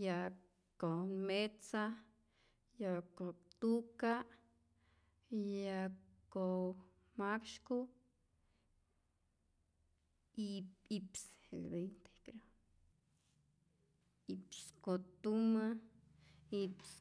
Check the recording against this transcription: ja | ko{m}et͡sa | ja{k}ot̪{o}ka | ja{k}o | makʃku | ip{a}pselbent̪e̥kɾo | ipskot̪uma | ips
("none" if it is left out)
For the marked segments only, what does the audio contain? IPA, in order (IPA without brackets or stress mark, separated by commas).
m, k, u, k, i